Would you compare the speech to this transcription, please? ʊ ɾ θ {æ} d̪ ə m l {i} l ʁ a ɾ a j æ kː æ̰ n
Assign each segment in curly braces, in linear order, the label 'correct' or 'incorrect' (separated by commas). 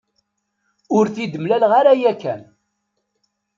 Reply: incorrect, incorrect